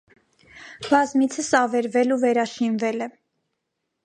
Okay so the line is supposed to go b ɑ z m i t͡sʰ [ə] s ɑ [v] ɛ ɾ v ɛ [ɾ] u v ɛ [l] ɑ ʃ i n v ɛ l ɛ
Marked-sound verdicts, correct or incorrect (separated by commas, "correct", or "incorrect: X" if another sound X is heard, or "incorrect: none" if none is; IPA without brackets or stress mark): correct, correct, incorrect: l, incorrect: ɾ